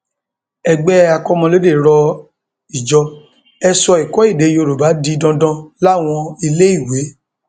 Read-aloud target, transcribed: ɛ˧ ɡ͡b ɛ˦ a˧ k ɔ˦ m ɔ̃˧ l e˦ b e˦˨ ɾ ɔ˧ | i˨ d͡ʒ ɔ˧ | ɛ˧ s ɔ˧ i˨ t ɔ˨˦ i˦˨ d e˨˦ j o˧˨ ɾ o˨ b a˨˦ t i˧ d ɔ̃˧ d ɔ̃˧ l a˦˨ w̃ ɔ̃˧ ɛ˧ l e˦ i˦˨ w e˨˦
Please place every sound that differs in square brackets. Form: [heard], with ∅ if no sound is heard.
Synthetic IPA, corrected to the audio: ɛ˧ ɡ͡b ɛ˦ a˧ k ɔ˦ m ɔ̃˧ l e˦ [d] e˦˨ ɾ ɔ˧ | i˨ d͡ʒ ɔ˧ | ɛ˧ s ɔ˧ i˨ [k] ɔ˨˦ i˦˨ d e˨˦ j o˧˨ ɾ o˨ b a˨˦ [d] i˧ d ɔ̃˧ d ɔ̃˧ l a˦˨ w̃ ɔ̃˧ [i˧] l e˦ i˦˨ w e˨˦